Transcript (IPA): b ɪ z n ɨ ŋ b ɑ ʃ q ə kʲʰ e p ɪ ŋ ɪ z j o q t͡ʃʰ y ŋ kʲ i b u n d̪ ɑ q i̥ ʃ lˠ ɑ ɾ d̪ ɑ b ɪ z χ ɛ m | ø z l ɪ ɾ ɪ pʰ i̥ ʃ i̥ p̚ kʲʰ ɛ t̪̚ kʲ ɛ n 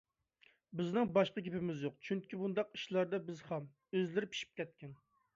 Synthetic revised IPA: b ɪ z n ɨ ŋ b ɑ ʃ q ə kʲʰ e p ɪ m ɪ z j o q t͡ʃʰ y ŋ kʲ i b u n d̪ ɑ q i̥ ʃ lˠ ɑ ɾ d̪ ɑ b ɪ z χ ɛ m | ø z l ɪ ɾ ɪ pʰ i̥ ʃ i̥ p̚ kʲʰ ɛ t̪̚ kʲ ɛ n